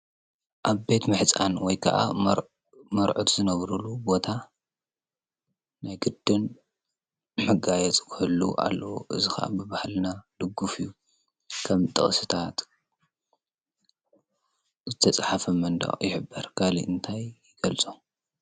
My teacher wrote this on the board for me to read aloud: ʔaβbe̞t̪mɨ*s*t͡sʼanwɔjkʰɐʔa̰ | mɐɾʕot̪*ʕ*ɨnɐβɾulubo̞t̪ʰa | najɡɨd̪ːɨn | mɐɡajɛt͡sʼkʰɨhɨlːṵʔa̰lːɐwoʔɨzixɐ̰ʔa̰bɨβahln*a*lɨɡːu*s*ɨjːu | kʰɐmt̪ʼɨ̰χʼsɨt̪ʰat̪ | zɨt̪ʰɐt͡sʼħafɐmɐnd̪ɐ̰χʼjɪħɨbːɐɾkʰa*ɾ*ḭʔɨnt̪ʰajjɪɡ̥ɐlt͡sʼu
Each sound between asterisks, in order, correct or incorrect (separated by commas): incorrect, incorrect, correct, incorrect, incorrect